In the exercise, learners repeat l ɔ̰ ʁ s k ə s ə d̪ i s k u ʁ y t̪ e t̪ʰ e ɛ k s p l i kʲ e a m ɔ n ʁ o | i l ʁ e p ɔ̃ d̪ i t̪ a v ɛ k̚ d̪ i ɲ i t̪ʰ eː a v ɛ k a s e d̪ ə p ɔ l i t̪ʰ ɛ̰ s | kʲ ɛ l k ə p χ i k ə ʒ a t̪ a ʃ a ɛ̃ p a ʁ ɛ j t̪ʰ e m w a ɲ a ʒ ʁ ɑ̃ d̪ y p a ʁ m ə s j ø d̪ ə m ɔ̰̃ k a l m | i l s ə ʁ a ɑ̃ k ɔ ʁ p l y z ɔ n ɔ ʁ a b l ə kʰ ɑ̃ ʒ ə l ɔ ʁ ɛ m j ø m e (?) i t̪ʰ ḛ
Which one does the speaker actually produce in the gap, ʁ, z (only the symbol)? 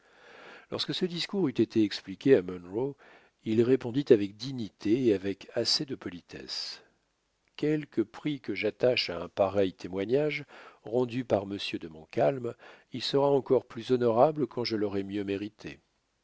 ʁ